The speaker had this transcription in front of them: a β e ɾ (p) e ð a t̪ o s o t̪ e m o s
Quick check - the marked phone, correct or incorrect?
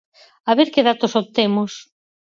incorrect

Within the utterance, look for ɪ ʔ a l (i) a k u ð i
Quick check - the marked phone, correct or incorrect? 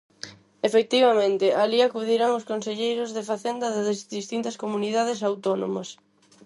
correct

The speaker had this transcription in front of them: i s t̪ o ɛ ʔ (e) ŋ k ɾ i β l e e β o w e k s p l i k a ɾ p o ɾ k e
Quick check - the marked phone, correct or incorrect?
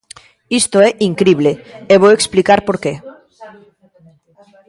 incorrect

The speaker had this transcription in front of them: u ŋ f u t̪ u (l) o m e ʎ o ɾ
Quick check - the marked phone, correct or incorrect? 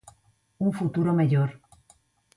incorrect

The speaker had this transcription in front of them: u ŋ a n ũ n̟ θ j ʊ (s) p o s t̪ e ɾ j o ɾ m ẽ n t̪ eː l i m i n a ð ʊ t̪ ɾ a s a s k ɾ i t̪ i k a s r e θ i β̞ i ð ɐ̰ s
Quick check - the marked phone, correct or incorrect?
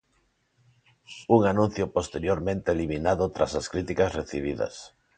incorrect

